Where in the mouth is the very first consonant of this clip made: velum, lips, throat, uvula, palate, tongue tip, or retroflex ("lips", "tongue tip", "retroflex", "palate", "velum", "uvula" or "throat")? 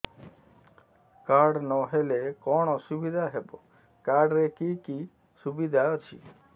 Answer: velum